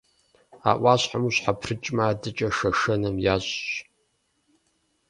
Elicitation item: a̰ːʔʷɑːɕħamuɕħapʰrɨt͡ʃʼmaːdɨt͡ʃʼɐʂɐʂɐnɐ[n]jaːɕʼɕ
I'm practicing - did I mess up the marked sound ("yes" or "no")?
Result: yes